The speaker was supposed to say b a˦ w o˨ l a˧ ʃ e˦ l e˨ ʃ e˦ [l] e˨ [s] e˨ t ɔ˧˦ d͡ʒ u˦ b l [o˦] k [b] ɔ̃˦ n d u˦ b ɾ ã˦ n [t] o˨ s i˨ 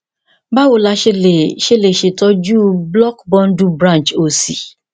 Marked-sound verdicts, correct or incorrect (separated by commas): correct, incorrect, incorrect, correct, incorrect